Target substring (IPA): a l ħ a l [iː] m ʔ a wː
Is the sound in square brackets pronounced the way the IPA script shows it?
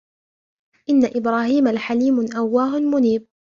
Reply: yes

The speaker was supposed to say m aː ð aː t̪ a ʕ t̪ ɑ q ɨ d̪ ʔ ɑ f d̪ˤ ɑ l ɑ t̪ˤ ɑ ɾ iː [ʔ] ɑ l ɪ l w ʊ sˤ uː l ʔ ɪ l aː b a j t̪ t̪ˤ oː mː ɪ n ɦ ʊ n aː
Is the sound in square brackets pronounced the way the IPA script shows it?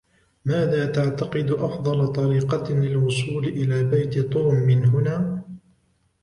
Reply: no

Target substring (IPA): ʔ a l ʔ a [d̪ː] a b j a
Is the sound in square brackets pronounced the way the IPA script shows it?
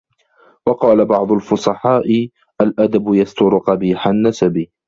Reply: no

